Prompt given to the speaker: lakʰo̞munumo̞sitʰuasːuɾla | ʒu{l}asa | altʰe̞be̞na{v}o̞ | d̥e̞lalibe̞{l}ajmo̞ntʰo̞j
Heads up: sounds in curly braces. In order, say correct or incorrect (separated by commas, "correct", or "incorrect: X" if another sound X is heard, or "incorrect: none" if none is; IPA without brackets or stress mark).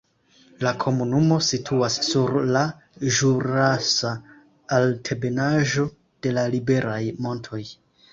incorrect: ɾ, incorrect: ʒ, incorrect: ɾ